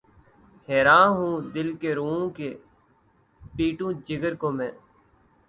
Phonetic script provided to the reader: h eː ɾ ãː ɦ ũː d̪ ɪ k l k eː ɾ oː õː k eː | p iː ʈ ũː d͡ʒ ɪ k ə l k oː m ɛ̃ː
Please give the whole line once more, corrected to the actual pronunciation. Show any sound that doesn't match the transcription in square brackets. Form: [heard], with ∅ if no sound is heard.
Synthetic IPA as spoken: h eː ɾ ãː ɦ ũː d̪ ɪ [∅] l k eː ɾ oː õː k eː | p iː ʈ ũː d͡ʒ ɪ [ɡ] ə [ɾ] k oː m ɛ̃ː